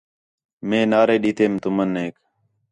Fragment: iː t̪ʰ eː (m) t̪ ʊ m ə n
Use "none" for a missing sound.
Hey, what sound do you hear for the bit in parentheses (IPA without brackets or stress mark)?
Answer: m